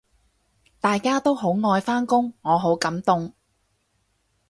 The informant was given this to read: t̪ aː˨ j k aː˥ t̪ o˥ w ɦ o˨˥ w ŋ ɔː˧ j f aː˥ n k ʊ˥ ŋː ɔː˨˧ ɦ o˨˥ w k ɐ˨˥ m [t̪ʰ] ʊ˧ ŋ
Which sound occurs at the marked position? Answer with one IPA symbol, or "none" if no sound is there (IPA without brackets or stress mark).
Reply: t̪